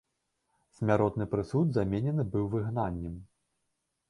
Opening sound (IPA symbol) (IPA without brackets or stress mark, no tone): sʲ